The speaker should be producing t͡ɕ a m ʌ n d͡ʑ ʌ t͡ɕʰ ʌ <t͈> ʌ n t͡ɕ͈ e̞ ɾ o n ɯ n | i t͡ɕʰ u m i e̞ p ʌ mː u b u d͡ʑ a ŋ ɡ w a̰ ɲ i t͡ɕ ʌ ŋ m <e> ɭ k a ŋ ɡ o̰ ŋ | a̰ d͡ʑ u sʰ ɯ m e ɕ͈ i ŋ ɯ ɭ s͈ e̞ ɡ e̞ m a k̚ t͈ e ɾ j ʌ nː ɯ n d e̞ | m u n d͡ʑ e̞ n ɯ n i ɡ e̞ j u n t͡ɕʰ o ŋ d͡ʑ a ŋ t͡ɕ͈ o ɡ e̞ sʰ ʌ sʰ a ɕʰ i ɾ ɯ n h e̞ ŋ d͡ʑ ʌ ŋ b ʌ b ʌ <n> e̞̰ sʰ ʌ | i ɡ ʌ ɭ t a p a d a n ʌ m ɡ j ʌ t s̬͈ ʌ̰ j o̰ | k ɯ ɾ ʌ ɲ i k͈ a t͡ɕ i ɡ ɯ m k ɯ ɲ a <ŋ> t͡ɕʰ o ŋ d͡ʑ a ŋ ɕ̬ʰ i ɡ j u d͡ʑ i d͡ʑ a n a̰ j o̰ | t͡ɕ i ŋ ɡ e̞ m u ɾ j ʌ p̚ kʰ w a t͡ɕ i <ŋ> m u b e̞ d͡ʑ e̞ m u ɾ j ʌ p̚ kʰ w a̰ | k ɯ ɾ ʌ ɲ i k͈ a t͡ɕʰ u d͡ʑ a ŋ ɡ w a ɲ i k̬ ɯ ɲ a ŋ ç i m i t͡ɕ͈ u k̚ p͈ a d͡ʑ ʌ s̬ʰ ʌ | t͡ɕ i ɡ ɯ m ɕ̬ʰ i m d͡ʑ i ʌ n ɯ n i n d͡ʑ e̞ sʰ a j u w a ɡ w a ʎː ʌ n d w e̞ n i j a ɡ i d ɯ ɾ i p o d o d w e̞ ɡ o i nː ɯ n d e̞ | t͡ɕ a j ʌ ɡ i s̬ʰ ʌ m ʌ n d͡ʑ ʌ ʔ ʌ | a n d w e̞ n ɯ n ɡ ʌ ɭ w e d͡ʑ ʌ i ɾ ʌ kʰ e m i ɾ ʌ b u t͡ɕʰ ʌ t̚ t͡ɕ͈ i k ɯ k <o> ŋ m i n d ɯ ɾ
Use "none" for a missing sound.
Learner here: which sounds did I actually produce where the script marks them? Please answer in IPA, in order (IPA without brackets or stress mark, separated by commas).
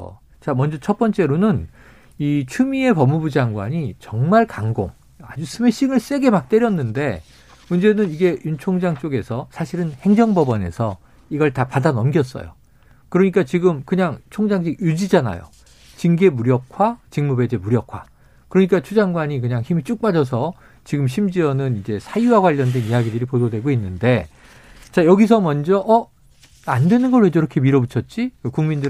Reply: p͈, a, n, ŋ, ŋ, u